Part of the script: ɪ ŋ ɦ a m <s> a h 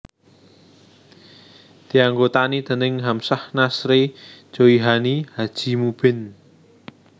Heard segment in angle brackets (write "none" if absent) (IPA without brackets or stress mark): s